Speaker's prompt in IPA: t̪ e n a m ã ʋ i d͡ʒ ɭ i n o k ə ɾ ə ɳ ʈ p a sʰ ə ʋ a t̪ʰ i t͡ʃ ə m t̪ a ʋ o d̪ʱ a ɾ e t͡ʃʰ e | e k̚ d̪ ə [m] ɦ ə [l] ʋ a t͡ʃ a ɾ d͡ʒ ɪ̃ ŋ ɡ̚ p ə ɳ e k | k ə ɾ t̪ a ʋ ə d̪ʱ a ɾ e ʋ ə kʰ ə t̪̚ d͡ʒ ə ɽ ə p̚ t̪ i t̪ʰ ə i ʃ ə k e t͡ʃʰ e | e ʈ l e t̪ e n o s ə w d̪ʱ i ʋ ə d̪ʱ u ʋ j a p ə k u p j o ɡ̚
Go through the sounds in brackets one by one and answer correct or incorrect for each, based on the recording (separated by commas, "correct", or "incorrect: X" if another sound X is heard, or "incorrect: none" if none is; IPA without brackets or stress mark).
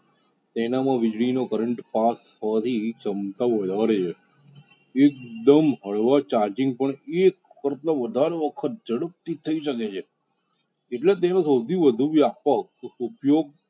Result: correct, incorrect: ɭ